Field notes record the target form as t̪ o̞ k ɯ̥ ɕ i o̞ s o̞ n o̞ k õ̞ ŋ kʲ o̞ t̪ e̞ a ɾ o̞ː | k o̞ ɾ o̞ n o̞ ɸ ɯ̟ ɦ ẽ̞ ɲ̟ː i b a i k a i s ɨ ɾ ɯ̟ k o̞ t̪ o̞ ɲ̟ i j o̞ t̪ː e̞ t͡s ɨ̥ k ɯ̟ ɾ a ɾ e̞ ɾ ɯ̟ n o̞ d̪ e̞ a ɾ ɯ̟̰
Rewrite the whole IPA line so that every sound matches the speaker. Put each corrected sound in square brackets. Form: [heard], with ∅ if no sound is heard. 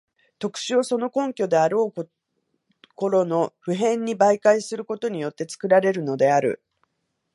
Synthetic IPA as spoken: t̪ o̞ k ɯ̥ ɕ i o̞ s o̞ n o̞ k õ̞ ŋ kʲ o̞ [d̪] e̞ a ɾ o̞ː | k o̞ ɾ o̞ n o̞ ɸ ɯ̟ ɦ ẽ̞ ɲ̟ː i b a i k a i s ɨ ɾ ɯ̟ k o̞ t̪ o̞ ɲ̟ i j o̞ t̪ː e̞ t͡s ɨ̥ k ɯ̟ ɾ a ɾ e̞ ɾ ɯ̟ n o̞ d̪ e̞ a ɾ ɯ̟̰